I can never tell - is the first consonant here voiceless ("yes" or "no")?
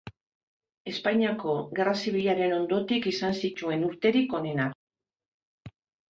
yes